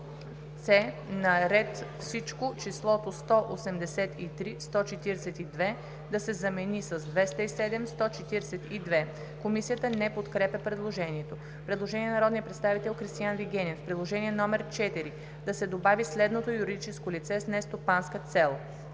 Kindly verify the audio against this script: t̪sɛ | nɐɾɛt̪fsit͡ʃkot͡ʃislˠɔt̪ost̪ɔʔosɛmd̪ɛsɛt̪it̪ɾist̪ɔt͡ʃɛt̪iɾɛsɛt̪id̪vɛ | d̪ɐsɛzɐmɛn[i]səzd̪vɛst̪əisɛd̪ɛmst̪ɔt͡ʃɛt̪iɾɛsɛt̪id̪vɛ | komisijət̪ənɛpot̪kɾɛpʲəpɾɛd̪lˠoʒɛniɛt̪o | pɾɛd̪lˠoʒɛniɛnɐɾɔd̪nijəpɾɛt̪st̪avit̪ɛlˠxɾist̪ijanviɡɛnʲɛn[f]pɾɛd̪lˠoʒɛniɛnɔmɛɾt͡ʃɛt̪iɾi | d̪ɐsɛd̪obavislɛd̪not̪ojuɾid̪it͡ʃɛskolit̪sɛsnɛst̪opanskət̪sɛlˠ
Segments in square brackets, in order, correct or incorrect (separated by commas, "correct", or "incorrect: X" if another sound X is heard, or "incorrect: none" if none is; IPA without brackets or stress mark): correct, correct